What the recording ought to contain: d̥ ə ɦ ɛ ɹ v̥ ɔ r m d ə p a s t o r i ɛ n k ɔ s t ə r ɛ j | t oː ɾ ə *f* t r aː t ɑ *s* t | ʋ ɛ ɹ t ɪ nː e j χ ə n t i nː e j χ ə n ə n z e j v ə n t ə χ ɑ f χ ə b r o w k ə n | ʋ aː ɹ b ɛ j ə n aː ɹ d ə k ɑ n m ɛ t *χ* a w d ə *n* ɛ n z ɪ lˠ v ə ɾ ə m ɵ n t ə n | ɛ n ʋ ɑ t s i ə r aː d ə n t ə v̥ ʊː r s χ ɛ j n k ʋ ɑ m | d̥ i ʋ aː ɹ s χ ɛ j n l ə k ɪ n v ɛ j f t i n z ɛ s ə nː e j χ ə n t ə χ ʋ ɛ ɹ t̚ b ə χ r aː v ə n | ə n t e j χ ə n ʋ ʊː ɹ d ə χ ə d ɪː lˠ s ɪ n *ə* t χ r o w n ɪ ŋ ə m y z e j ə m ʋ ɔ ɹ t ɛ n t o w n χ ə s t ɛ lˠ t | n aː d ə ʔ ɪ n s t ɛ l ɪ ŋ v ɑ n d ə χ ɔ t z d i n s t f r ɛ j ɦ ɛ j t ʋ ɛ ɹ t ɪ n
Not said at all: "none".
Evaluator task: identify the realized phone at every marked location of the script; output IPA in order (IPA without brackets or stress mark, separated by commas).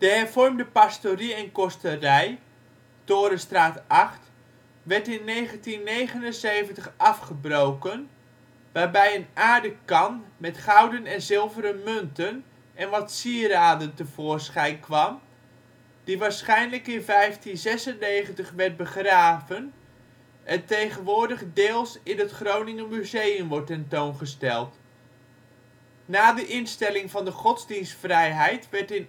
s, χ, χ, n, ə